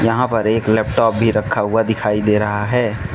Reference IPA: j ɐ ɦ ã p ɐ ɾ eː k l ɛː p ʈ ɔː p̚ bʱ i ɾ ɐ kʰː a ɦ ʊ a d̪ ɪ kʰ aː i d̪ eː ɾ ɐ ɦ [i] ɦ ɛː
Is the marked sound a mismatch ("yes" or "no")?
yes